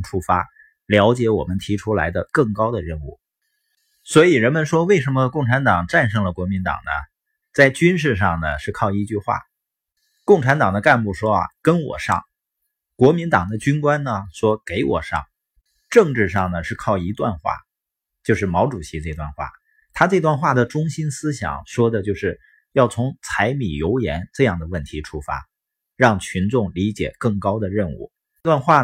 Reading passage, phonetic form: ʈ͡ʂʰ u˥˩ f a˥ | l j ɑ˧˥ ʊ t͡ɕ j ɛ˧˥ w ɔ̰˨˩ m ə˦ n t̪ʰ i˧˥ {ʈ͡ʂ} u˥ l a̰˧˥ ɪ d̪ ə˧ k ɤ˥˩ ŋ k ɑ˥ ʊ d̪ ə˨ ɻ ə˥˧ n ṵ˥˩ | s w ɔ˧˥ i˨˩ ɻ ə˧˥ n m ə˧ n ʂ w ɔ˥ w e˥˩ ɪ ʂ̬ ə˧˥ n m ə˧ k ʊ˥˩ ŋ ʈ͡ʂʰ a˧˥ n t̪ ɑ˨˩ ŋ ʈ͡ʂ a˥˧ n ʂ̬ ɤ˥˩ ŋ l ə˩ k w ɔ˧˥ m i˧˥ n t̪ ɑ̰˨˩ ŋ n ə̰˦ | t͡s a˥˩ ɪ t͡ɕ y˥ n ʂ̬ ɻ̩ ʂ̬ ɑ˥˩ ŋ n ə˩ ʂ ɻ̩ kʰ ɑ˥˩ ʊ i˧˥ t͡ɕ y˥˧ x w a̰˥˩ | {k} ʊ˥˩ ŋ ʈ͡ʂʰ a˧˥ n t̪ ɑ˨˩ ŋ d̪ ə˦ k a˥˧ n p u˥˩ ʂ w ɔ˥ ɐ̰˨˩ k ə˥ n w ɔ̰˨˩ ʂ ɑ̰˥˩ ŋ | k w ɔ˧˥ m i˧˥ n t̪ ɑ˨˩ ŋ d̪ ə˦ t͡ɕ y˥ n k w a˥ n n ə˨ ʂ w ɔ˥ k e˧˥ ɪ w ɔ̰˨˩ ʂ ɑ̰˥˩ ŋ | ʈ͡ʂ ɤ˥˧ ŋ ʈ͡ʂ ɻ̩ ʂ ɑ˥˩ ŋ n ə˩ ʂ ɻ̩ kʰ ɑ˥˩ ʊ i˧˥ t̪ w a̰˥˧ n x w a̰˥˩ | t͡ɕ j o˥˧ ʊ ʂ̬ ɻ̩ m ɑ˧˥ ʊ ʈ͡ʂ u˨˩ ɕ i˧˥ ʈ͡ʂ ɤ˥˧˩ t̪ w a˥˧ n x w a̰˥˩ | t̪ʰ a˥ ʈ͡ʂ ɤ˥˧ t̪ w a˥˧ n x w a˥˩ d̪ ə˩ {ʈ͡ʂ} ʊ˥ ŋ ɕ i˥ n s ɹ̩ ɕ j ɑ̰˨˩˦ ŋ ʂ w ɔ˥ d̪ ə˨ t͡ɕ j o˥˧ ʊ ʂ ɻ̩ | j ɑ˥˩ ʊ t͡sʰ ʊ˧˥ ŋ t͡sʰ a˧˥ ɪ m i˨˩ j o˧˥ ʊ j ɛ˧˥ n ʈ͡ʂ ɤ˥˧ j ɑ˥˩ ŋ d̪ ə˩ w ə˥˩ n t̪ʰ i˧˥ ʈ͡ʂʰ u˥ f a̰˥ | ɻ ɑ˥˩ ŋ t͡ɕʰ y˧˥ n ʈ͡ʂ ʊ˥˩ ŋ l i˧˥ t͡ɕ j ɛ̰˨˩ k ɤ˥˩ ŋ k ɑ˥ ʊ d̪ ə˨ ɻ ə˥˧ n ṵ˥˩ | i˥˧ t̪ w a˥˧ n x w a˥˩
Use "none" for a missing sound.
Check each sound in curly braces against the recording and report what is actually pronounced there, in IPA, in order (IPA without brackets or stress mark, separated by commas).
ʈ͡ʂʰ, k, ʈ͡ʂ